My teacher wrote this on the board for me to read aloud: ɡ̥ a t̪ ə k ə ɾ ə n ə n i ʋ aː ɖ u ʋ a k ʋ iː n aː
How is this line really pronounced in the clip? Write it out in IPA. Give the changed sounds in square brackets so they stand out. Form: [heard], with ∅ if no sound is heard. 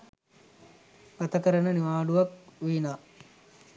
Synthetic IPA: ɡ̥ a t̪ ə k ə ɾ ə n ə n i ʋ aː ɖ u ʋ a k ʋ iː n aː